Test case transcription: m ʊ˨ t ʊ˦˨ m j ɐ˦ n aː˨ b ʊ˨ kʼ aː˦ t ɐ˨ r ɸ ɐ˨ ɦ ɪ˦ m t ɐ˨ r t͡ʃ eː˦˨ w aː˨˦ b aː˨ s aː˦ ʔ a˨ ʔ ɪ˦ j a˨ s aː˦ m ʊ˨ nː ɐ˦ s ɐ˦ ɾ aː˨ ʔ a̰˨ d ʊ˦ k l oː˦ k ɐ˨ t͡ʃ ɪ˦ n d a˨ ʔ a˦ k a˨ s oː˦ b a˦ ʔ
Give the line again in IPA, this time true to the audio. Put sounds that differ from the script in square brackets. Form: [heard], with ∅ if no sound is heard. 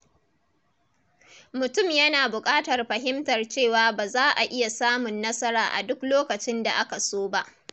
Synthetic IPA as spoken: m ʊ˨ t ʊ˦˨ m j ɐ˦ n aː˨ b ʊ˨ kʼ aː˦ t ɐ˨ r ɸ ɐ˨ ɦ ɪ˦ m t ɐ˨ r t͡ʃ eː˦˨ w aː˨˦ b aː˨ [z] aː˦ ʔ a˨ ʔ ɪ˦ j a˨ s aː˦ m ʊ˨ nː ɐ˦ s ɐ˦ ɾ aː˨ ʔ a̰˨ d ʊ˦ k l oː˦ k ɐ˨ t͡ʃ ɪ˦ n d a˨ ʔ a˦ k a˨ s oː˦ b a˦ ʔ

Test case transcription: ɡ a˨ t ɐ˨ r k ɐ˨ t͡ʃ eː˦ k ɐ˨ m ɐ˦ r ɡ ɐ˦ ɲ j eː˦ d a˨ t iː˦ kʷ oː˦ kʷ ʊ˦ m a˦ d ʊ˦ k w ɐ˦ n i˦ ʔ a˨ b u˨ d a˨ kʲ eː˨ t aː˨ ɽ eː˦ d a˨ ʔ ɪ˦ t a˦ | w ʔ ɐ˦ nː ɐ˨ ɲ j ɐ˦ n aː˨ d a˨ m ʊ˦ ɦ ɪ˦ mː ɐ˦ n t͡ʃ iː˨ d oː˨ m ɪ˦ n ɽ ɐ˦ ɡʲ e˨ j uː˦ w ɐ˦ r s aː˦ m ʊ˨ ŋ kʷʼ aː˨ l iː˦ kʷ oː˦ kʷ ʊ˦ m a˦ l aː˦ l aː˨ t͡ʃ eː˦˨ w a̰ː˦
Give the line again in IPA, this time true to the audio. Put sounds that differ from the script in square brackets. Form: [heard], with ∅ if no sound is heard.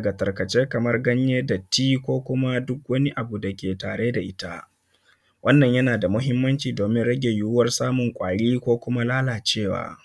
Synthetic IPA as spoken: ɡ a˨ t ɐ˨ r k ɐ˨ t͡ʃ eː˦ k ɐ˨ m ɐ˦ r ɡ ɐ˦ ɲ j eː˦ d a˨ t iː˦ kʷ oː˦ kʷ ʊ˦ m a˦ d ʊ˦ k w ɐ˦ n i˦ ʔ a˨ b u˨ d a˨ kʲ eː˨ t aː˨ ɽ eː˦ d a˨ ʔ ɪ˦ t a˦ | w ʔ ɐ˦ nː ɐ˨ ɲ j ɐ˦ n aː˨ d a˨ m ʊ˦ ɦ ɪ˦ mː ɐ˦ n t͡ʃ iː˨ d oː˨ m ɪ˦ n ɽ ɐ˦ ɡʲ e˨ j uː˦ w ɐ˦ r s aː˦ m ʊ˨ ŋ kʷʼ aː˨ [ɽ] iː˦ kʷ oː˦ kʷ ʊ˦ m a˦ l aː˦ l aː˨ t͡ʃ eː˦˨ w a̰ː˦

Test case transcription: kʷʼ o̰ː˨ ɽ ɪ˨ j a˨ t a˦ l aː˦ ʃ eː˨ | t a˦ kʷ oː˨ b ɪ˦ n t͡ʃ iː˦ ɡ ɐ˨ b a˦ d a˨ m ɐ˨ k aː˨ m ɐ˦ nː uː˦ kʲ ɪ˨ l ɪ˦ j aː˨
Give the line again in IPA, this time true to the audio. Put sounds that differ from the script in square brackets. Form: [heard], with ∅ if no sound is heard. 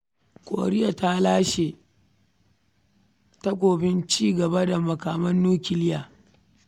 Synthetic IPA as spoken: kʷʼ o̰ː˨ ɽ [ɪ˦] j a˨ t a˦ l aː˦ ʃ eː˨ | t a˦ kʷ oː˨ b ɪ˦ n t͡ʃ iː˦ ɡ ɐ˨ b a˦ d a˨ m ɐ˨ k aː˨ m ɐ˦ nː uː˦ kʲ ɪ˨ l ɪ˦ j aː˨

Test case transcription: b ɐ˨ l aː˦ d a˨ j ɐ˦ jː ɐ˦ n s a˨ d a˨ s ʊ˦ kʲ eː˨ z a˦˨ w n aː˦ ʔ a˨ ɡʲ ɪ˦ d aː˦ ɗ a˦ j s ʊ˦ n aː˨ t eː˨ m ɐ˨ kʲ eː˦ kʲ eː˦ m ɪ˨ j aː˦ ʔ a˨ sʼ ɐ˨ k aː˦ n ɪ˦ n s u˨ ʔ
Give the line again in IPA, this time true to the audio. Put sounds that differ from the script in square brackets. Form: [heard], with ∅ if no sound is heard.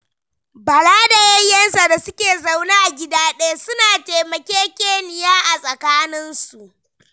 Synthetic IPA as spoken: b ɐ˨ l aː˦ d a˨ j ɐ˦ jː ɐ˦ n s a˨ d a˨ s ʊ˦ kʲ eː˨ z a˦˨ w n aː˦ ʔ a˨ ɡʲ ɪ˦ d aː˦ ɗ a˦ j s ʊ˦ n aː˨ t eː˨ m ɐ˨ kʲ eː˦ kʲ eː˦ [n] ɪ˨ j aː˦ ʔ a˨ sʼ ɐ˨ k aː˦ n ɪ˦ n s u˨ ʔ

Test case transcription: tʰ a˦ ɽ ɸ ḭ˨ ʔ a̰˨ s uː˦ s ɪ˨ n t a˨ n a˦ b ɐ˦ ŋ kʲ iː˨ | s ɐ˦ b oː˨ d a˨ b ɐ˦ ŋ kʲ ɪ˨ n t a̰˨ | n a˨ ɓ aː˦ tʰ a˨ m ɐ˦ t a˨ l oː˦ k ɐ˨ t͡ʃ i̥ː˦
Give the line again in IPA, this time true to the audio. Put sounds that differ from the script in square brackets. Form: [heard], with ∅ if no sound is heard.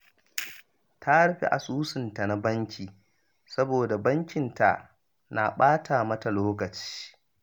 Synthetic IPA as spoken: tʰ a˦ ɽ ɸ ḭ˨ ʔ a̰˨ s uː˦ s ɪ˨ n t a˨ n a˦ b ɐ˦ ŋ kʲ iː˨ | s ɐ˦ b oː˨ d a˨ b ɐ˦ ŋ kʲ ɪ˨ n t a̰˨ | n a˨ ɓ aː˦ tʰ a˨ m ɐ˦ t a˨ l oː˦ k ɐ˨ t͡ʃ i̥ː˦

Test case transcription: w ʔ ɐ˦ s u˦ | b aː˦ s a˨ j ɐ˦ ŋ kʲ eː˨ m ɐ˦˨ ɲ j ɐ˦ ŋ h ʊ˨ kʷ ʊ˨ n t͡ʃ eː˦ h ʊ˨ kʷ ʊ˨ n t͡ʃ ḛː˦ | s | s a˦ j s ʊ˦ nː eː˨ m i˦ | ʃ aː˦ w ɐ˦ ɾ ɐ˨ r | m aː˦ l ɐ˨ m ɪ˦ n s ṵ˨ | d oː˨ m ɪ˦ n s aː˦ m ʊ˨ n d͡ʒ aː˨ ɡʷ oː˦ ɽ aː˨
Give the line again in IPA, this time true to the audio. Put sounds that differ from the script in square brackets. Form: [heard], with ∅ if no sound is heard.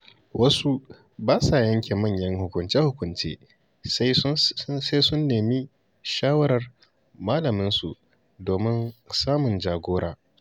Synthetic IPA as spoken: w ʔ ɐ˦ s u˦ | b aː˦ s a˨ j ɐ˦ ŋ kʲ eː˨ m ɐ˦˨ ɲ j ɐ˦ ŋ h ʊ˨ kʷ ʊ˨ n t͡ʃ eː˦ h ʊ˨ kʷ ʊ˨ n t͡ʃ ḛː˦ | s | s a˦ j s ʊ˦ nː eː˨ m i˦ | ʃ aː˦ w ɐ˦ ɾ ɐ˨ r | m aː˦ l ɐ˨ m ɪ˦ n s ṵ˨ | d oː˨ m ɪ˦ n s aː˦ m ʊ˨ n d͡ʒ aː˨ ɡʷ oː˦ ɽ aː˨

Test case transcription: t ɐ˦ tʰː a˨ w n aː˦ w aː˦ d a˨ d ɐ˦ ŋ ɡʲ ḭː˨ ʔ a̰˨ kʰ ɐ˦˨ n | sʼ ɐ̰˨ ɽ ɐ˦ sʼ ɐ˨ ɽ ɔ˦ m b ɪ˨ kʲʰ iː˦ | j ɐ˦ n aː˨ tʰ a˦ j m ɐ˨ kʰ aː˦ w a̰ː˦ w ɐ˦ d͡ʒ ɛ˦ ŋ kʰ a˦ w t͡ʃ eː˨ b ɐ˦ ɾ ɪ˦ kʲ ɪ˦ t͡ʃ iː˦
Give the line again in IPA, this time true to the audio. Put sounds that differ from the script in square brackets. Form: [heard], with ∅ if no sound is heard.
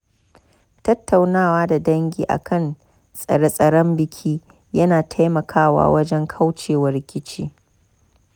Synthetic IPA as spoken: t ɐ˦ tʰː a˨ w n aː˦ w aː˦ d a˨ d ɐ˦ ŋ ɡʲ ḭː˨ ʔ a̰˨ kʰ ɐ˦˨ n | sʼ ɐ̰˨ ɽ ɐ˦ sʼ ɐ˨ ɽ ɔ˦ m b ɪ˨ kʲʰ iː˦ | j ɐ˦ n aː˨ tʰ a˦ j m ɐ˨ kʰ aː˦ w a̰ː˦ w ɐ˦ d͡ʒ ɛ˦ ŋ kʰ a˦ w t͡ʃ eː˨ [w] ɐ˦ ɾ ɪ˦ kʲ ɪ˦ t͡ʃ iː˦

